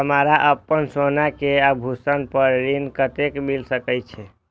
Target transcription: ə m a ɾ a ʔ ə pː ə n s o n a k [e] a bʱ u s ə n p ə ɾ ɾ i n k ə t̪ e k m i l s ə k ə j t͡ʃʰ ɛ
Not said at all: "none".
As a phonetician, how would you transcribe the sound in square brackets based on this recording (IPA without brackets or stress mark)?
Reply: e